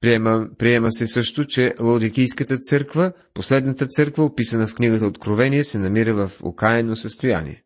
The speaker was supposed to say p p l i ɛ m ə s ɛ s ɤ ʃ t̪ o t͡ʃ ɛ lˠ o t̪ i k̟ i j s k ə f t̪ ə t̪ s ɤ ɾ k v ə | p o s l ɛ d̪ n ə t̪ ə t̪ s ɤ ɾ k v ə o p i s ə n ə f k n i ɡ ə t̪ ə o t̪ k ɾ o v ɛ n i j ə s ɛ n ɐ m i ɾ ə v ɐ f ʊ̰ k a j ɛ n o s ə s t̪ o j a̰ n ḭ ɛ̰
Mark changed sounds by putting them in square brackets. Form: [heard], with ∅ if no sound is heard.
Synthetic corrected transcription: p p [ɾ] i ɛ m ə s ɛ s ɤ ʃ t̪ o t͡ʃ ɛ lˠ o [d̪] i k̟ i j s k ə [∅] t̪ ə t̪ s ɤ ɾ k v ə | p o s l ɛ d̪ n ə t̪ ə t̪ s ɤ ɾ k v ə o p i s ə n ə f k n i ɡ ə t̪ ə o t̪ k ɾ o v ɛ n i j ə s ɛ n ɐ m i ɾ ə v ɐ f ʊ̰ k a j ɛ n o s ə s t̪ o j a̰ n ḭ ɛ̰